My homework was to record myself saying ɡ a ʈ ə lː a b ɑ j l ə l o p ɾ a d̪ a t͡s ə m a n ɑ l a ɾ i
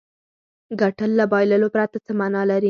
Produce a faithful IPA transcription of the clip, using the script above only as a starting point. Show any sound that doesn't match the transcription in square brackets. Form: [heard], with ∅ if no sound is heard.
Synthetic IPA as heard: ɡ a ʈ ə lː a b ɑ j l ə l o p ɾ a [t̪] a t͡s ə m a n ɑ l a ɾ i